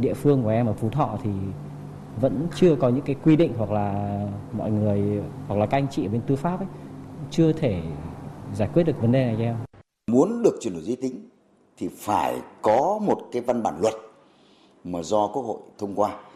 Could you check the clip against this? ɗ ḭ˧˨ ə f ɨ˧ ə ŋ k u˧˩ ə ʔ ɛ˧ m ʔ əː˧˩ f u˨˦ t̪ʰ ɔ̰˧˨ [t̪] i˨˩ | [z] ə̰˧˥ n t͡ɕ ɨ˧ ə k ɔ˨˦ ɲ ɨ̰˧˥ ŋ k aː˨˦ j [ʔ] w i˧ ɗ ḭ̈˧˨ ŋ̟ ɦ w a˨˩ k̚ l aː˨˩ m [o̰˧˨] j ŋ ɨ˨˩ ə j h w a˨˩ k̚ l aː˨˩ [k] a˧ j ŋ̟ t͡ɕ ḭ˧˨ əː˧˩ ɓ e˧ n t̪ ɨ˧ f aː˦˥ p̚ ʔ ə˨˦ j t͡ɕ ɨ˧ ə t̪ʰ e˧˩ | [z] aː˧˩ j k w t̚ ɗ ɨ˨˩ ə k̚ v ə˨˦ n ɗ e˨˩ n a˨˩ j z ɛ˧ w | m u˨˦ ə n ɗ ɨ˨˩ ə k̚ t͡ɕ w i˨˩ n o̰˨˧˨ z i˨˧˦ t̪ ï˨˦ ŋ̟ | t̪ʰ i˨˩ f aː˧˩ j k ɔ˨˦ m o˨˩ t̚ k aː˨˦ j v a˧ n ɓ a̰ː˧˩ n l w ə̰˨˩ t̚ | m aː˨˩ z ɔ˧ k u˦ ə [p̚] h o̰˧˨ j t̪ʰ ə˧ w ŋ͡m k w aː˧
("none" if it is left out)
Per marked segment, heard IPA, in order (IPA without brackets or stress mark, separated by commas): t̪ʰ, v, k, ɔ̰˧˨, k, z, k̚